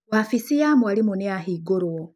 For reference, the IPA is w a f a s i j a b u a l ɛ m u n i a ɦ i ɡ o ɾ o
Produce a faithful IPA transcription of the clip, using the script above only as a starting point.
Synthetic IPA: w a f i s i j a m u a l i m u n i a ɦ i ɡ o ɾ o